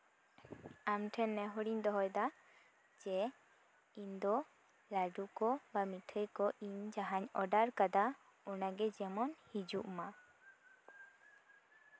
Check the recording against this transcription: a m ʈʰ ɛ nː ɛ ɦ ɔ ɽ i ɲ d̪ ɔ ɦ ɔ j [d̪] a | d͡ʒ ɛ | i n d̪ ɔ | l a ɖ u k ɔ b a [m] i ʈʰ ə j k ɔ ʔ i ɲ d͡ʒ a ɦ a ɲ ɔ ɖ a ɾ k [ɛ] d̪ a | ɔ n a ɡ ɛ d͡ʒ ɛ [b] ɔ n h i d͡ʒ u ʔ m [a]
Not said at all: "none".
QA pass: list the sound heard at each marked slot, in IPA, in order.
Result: d̪, m, a, m, a

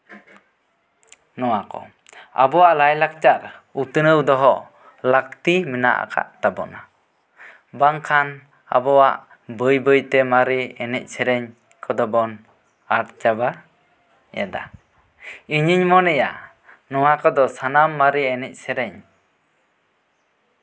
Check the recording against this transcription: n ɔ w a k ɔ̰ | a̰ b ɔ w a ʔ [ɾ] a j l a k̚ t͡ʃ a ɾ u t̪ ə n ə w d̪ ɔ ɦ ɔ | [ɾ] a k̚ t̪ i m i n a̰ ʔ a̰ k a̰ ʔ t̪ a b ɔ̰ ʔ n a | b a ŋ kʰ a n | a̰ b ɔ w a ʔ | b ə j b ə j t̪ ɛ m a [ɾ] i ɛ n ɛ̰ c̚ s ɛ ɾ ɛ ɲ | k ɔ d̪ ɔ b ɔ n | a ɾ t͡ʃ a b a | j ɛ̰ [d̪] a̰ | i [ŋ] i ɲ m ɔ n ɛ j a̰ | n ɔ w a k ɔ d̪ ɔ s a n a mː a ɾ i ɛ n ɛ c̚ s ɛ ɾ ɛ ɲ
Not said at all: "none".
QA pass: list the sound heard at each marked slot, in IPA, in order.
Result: l, l, ɾ, d̪, ɲ

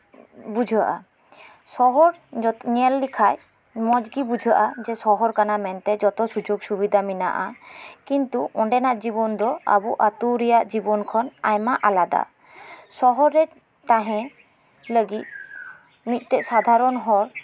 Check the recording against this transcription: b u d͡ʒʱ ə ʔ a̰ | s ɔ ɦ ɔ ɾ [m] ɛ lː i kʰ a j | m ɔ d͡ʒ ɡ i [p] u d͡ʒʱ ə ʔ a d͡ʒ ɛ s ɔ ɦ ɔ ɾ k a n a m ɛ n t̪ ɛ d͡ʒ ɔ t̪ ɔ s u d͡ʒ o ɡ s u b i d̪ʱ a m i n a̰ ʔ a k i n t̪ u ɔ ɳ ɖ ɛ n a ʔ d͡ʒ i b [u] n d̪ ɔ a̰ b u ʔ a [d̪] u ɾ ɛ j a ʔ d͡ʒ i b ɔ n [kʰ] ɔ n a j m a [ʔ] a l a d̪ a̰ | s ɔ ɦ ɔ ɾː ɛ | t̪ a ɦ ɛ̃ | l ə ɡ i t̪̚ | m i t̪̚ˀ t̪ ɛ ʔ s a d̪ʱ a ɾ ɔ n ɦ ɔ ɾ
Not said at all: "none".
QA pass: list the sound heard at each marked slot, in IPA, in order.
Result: ɲ, b, ɔ, t̪, kʰ, ʔ

